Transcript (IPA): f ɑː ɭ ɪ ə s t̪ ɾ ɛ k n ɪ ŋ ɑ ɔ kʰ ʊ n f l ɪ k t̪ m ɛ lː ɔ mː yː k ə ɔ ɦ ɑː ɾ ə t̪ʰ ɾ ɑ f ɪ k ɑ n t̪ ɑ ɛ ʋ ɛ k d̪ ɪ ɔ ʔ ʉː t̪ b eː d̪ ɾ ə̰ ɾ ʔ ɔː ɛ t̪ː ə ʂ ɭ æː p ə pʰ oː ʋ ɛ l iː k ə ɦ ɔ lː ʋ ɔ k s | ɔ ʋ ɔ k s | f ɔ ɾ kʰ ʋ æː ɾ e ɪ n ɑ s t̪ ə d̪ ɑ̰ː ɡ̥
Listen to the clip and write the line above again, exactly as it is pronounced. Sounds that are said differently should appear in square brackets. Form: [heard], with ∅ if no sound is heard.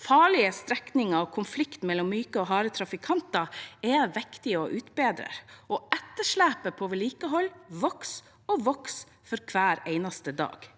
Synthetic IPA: f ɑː ɭ ɪ ə s t̪ ɾ ɛ k n ɪ ŋ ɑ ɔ kʰ ʊ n f l ɪ k t̪ m ɛ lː ɔ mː yː k ə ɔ ɦ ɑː ɾ ə t̪ʰ ɾ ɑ f ɪ [kʰ] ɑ n t̪ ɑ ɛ ʋ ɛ k [t̪] ɪ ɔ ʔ ʉː t̪ b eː d̪ ɾ ə̰ ɾ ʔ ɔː ɛ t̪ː ə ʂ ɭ æː p ə pʰ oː ʋ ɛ l iː k ə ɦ ɔ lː ʋ ɔ k s | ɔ ʋ ɔ k s | f ɔ ɾ kʰ ʋ æː ɾ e ɪ n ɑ s t̪ ə d̪ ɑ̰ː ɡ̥